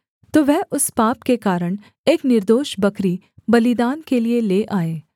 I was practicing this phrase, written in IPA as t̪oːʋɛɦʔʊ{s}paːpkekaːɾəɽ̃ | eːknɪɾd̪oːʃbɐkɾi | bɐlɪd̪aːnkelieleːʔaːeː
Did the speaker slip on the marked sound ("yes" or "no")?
no